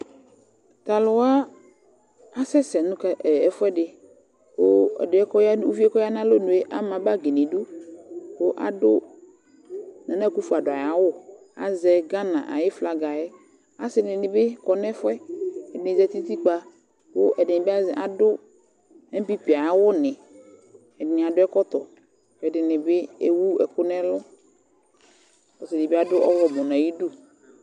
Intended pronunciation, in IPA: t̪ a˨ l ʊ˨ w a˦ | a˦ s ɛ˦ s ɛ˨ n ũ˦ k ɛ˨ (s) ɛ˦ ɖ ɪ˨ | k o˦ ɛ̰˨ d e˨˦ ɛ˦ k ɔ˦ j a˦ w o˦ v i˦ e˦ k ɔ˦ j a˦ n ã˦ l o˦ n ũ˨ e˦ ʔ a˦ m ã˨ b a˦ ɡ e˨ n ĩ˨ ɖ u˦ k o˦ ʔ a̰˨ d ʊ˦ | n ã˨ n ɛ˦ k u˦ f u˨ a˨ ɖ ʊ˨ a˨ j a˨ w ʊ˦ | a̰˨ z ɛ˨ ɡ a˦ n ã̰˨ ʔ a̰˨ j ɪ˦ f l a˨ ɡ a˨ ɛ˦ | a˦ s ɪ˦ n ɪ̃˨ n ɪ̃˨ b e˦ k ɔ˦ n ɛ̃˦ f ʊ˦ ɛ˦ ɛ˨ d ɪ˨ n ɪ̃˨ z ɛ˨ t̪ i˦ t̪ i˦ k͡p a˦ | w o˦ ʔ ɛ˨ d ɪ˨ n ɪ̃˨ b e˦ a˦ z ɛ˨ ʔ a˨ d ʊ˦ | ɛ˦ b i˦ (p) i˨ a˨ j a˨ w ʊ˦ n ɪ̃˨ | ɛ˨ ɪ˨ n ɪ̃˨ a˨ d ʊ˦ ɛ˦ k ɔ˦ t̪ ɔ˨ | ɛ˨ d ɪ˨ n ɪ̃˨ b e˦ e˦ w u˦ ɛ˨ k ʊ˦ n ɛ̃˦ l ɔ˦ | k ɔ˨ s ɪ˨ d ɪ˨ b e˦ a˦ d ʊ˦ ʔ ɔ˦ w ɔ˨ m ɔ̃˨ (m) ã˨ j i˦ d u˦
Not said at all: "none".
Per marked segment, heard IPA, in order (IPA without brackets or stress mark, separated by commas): f, p, n